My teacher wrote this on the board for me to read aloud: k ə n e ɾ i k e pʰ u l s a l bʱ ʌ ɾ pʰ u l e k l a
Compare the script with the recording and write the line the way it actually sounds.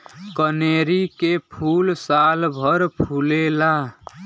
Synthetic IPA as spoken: k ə n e ɾ i k e pʰ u l s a l bʱ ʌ ɾ pʰ u l e l a